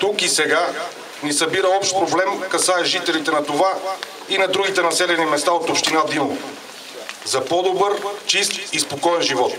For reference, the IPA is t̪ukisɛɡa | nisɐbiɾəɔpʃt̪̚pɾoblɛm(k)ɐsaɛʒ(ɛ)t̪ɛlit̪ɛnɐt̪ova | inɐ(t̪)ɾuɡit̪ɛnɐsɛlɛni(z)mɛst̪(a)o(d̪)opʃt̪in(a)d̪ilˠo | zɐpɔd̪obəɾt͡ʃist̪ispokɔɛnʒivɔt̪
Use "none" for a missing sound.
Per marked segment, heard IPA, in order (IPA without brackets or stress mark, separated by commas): k, i, d̪, none, a, t̪, a